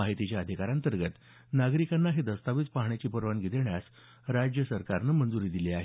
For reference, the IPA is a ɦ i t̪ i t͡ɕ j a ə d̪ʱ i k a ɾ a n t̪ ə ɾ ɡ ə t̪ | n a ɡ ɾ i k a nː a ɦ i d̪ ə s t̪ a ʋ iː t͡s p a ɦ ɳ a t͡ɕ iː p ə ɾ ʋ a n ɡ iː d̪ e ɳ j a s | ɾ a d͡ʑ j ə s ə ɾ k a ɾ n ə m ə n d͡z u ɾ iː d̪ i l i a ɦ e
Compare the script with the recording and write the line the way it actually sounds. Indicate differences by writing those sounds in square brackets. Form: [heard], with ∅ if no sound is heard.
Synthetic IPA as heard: a ɦ i t̪ i t͡ɕ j a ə d̪ʱ i k a ɾ a n t̪ ə ɾ ɡ ə t̪ | n a ɡ ɾ i k a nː a ɦ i d̪ ə s t̪ a ʋ iː t͡s p a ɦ ɳ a t͡ɕ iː p ə ɾ ʋ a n ɡ [i] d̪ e ɳ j a s | ɾ a d͡ʑ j ə s ə ɾ k a ɾ n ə m ə n d͡z u ɾ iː d̪ i l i a ɦ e